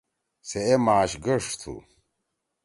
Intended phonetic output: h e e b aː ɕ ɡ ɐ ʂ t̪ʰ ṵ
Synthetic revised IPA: s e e m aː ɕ ɡ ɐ ʂ t̪ʰ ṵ

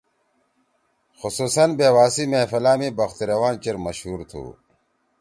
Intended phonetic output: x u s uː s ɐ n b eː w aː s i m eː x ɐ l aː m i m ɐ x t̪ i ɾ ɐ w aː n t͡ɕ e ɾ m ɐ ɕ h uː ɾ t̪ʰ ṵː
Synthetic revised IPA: x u s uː s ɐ n b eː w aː s i m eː f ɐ l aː m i b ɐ x t̪ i ɾ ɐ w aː n t͡ɕ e ɾ m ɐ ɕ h uː ɾ t̪ʰ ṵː

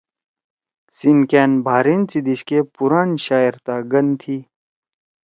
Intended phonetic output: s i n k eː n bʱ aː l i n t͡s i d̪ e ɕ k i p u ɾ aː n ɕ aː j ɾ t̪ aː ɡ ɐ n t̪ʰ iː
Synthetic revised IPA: s i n k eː n bʱ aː ɾ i n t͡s i d̪ i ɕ k e p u ɾ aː n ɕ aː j ɾ t̪ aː ɡ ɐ n t̪ʰ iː

